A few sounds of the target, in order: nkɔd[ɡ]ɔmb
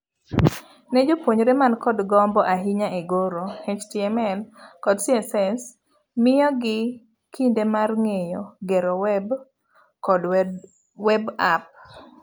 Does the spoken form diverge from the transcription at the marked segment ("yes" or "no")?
no